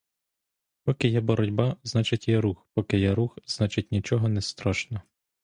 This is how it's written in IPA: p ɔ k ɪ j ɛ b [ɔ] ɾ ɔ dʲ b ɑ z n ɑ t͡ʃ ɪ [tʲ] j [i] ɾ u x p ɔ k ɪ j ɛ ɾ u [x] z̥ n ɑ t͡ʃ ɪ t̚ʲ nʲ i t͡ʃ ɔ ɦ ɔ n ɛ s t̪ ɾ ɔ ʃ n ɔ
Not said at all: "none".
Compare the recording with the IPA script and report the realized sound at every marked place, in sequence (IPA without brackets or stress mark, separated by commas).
ɔ, tʲ, ɛ, x